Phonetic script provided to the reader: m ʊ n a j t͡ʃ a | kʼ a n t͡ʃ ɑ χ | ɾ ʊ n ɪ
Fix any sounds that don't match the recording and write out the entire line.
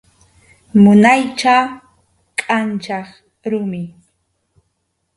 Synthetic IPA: m ʊ n a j t͡ʃ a | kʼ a n t͡ʃ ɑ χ | ɾ ʊ m ɪ